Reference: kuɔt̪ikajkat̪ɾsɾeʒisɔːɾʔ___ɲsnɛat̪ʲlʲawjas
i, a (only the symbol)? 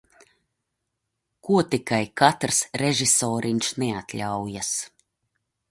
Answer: i